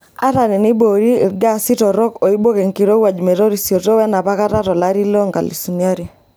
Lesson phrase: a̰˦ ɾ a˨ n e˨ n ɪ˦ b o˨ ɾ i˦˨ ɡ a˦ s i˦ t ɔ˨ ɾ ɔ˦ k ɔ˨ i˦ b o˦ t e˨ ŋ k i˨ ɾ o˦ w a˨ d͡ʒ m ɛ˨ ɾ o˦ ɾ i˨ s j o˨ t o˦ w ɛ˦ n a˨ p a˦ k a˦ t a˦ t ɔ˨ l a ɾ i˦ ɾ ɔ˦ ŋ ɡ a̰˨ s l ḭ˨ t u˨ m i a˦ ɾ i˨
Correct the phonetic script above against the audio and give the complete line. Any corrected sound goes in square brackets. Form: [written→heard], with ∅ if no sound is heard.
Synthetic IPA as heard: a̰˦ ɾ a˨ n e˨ n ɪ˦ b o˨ ɾ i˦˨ ɡ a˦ s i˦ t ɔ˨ ɾ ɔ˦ k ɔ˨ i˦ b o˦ [t→k] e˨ ŋ k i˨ ɾ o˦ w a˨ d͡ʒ m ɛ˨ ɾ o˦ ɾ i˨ s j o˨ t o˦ w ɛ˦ n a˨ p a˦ k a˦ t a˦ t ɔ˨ l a ɾ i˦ [ɾ→l] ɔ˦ ŋ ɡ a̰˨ [s→∅] l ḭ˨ [t→s] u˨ [m→n] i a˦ ɾ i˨